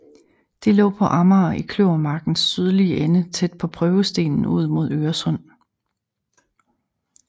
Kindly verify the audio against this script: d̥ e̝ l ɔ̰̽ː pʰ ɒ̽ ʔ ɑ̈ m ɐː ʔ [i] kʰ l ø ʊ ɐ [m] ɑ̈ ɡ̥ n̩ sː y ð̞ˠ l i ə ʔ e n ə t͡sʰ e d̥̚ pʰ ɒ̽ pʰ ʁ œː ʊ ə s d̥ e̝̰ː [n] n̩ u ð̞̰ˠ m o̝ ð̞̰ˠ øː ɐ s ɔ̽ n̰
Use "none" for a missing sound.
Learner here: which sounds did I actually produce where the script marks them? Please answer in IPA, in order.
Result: i, m, n

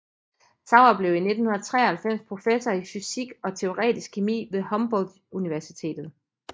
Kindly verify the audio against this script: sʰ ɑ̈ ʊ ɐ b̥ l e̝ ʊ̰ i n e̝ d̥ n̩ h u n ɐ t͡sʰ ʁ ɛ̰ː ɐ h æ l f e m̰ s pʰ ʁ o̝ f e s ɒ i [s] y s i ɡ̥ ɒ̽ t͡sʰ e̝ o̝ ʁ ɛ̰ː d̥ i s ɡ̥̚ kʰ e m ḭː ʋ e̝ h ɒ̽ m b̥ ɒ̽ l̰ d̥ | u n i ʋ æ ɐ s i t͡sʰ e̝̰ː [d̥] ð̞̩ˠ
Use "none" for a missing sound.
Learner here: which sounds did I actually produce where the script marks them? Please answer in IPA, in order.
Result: f, d̥

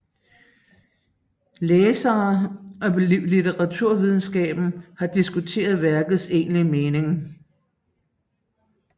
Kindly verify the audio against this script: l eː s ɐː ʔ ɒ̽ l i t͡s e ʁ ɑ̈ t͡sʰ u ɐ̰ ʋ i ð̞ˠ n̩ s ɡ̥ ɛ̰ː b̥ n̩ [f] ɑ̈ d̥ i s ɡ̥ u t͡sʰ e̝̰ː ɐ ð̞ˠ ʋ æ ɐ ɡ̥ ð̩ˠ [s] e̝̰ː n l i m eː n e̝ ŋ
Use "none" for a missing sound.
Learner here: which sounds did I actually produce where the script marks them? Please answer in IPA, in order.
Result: h, s

